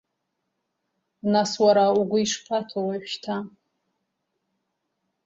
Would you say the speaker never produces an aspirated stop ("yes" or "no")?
no